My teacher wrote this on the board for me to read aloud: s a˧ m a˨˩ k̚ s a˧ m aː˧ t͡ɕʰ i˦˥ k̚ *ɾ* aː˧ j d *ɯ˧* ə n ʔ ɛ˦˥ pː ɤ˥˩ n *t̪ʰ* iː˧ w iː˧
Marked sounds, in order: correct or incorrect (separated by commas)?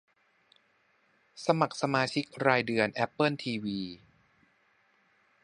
correct, correct, correct